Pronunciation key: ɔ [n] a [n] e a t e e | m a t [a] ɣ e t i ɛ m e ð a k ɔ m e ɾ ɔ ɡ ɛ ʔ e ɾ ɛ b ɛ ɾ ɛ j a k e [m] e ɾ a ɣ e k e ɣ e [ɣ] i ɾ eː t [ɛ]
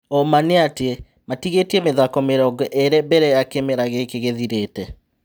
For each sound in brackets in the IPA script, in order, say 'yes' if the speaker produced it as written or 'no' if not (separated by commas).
no, yes, no, yes, no, yes